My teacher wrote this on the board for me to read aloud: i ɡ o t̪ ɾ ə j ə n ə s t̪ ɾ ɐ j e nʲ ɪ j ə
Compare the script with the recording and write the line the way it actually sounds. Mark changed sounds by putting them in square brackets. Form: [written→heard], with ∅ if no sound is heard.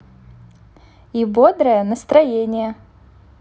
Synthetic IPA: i [ɡ→b] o [t̪→d̪] ɾ ə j ə n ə s t̪ ɾ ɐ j e nʲ ɪ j ə